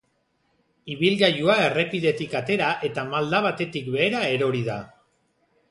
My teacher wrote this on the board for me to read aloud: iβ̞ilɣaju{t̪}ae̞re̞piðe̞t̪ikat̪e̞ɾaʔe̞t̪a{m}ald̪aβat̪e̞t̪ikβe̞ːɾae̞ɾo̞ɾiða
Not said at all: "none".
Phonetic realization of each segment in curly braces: none, m

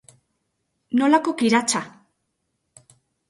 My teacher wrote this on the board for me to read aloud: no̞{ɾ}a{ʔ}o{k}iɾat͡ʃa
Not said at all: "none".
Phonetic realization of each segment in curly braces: l, k, k

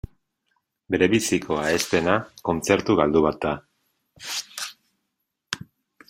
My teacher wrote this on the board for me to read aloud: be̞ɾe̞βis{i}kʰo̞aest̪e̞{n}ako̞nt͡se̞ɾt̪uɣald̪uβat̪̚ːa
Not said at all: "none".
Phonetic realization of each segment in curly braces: i, n

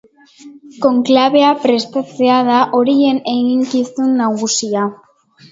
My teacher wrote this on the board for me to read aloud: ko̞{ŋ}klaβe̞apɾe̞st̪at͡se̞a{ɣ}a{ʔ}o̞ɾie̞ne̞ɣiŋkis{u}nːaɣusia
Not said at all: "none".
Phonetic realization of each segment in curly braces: ŋ, ð, ʔ, u

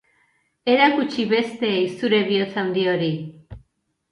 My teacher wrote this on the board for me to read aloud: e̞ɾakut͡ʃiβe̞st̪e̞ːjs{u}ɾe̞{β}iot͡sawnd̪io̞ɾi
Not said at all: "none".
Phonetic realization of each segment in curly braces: u, β

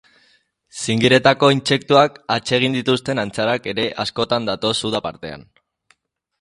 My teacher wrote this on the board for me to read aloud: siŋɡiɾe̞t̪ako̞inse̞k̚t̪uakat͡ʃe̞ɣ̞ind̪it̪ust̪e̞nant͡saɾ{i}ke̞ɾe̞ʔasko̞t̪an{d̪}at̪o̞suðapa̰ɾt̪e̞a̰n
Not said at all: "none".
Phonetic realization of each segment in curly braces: a, d̪

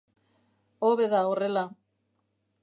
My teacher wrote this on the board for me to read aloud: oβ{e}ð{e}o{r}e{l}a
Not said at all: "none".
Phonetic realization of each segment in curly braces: e, a, r, l

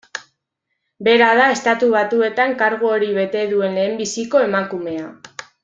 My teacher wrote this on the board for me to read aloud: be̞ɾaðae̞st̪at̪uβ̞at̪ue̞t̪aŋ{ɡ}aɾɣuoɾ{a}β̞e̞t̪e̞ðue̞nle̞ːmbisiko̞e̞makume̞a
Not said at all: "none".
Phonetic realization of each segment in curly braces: k, i

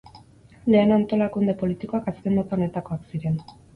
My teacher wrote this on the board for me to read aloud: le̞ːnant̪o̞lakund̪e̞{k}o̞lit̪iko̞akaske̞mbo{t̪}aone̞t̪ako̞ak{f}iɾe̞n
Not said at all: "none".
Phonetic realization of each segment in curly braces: p, t̪, s

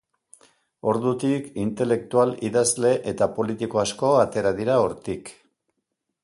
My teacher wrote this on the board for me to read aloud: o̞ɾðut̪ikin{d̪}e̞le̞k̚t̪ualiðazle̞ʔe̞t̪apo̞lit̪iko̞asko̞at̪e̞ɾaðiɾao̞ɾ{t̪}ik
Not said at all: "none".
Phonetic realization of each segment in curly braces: t̪, t̪

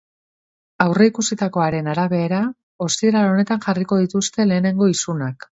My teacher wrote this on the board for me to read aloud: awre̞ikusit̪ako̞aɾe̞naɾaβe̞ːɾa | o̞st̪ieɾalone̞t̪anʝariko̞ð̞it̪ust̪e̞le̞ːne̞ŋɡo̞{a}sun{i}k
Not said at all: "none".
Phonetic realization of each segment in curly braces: i, a

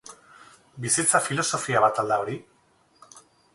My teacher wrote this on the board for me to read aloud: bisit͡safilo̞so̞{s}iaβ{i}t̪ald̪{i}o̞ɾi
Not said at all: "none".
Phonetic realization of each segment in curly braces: f, a, a

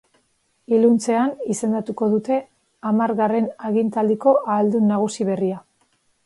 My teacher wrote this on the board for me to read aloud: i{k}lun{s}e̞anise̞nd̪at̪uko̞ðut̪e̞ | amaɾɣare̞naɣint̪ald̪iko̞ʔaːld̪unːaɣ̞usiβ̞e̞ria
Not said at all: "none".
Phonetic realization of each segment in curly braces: none, t͡s

